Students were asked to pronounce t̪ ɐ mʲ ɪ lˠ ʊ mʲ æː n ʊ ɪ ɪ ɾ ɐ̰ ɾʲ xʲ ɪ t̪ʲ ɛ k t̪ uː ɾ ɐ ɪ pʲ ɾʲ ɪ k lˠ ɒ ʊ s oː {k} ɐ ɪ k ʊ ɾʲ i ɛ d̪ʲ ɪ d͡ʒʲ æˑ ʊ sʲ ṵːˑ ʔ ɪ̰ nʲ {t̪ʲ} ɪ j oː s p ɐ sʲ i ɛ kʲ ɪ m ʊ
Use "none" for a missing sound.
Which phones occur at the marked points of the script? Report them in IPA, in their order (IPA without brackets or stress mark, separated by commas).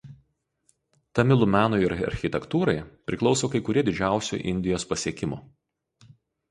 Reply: k, d̪ʲ